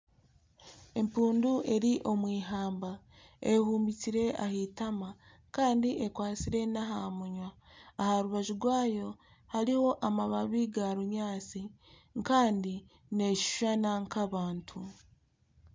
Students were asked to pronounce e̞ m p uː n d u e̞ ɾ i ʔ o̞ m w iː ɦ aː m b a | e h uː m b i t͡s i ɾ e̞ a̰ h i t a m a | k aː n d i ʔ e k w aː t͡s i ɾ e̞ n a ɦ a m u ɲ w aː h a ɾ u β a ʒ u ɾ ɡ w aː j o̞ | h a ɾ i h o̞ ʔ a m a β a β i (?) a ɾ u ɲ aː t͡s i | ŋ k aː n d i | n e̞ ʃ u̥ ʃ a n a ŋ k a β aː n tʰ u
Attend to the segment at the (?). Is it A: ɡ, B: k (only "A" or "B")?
A